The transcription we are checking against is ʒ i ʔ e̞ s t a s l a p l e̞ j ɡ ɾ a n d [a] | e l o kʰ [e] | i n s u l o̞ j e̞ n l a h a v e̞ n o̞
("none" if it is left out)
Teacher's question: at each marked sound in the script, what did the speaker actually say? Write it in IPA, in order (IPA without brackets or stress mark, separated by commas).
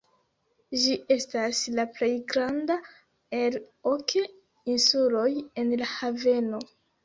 a, e